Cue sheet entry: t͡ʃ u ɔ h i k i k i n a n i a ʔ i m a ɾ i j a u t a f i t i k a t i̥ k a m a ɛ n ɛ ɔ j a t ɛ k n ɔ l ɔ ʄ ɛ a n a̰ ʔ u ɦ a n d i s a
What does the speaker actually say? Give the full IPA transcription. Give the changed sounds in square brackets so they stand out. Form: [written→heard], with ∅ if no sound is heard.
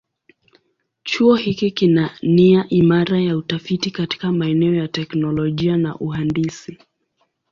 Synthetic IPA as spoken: t͡ʃ u ɔ h i k i k i n a n i a ʔ i m a ɾ [i→a] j a u t a f i t i k a t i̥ k a m a ɛ n ɛ ɔ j a t ɛ k n ɔ l ɔ ʄ [ɛ→i] a n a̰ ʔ u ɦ a n d i s [a→i]